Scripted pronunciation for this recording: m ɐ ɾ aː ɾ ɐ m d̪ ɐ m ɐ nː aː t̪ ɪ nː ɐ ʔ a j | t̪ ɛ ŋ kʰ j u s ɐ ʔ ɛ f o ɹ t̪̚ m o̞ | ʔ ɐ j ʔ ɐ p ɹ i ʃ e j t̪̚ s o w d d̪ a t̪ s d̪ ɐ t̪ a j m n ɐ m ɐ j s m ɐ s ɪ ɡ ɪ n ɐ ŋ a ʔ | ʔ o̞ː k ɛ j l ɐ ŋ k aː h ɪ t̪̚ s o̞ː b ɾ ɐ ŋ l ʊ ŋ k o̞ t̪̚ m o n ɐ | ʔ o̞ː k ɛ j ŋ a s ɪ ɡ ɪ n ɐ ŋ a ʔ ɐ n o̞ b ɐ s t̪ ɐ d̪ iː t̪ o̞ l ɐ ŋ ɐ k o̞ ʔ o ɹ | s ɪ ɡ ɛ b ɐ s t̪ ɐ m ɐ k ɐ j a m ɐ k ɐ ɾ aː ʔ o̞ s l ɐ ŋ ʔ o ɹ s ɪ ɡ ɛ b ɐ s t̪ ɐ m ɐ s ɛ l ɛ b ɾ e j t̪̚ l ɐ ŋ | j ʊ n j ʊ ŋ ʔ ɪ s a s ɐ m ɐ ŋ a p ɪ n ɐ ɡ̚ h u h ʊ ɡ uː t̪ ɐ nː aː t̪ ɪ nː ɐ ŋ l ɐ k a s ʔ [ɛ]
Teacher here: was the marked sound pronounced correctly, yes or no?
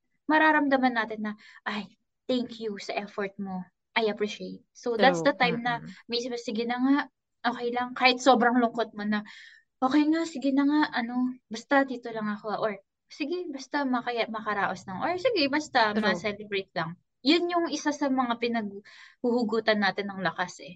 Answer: yes